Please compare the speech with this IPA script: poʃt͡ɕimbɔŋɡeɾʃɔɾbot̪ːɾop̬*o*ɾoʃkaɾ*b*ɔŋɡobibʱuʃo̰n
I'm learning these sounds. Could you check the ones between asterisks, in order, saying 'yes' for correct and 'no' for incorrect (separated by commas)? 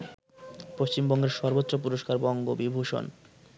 no, yes